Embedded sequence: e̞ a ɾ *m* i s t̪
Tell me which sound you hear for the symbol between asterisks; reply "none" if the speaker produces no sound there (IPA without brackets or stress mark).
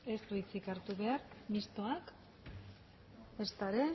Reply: m